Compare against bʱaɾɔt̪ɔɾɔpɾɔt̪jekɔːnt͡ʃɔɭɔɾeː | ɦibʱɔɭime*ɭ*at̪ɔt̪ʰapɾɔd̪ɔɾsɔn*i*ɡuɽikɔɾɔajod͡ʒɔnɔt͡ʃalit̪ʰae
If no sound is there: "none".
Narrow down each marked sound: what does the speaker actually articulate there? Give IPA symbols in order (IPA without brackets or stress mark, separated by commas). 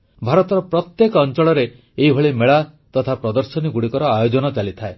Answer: ɭ, i